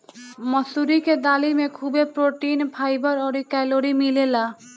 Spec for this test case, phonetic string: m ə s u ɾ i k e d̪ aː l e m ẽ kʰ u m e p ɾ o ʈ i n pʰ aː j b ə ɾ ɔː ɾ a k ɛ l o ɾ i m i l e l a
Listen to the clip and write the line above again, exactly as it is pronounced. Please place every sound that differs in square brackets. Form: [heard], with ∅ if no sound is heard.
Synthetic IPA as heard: m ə s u ɾ i k e d̪ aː l [i] m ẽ kʰ u [b] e p ɾ o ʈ i n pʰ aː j b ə ɾ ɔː ɾ [i] k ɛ l o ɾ i m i l e l a